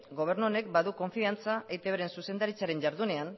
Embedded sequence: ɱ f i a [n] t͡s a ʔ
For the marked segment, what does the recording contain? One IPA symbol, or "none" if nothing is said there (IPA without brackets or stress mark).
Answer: n